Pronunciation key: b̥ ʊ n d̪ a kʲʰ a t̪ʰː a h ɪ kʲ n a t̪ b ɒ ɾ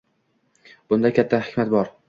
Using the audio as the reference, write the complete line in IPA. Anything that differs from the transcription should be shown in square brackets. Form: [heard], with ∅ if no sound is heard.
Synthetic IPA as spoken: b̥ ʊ n d̪ a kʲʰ a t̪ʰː a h ɪ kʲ [m] a t̪ b ɒ ɾ